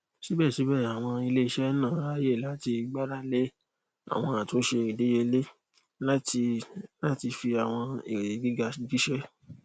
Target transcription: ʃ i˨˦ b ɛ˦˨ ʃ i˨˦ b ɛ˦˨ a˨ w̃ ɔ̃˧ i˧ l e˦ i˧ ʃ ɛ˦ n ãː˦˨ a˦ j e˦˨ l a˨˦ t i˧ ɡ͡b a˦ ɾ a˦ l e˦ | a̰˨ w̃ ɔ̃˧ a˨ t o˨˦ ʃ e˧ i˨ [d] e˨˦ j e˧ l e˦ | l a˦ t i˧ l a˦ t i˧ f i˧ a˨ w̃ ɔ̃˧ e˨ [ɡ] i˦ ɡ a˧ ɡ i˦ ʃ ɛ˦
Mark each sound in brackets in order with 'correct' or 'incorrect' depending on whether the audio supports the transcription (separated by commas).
correct, correct